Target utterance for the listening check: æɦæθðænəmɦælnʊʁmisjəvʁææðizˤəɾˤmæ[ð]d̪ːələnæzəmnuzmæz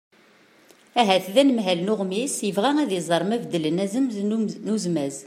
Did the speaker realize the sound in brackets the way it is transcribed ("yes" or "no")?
no